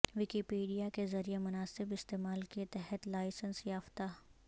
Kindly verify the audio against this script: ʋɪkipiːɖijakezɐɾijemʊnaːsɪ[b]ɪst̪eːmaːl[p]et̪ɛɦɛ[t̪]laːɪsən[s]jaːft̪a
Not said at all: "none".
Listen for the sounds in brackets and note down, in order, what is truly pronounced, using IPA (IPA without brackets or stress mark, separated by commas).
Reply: b, k, t̪, s